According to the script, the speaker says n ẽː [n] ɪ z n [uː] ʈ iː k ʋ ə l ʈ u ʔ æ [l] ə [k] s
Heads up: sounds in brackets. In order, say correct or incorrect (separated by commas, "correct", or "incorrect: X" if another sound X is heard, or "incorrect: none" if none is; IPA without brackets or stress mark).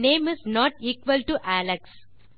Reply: incorrect: m, incorrect: ɔː, correct, correct